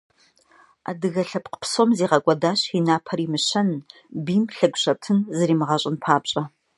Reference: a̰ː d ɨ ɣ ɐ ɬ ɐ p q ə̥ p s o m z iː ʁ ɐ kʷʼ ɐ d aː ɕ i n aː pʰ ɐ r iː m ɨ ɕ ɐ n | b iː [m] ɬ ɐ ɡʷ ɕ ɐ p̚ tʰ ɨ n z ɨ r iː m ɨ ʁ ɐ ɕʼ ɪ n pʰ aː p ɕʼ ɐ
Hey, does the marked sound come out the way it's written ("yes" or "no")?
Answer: yes